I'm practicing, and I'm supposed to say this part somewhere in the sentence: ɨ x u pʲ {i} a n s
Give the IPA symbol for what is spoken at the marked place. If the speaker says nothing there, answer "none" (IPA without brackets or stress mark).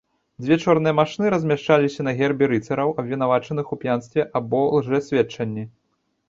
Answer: j